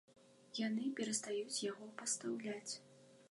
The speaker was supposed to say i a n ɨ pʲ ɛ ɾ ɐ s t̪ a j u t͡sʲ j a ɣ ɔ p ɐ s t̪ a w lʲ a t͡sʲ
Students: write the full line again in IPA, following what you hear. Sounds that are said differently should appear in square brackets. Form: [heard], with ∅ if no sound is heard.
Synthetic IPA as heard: [j] a n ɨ pʲ ɛ ɾ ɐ s t̪ a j u t͡sʲ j a ɣ ɔ p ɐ s t̪ a w lʲ a t͡sʲ